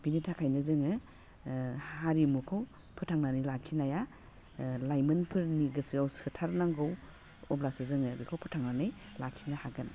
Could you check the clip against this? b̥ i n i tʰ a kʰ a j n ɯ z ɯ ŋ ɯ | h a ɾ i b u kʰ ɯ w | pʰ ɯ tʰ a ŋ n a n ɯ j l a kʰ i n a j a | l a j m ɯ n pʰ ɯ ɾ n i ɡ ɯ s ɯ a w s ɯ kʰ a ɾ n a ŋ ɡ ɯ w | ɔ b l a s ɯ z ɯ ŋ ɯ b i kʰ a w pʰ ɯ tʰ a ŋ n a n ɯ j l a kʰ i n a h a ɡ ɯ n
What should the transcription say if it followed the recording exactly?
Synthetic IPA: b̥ i n i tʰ a kʰ a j n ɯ z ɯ ŋ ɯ | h a ɾ i m u kʰ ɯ w | pʰ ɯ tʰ a ŋ n a n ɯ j l a kʰ i n a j a | l a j m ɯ n pʰ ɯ ɾ n i ɡ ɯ s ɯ a w s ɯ tʰ a ɾ n a ŋ ɡ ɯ w | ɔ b l a s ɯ z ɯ ŋ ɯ b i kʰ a w pʰ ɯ tʰ a ŋ n a n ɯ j l a kʰ i n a h a ɡ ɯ n